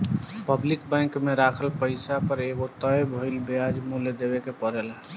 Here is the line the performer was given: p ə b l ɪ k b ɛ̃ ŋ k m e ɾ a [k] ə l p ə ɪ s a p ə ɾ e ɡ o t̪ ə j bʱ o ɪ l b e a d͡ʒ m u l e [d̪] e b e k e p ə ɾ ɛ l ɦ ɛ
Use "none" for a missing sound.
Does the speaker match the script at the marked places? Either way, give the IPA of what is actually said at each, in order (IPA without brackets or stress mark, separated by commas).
kʰ, d̪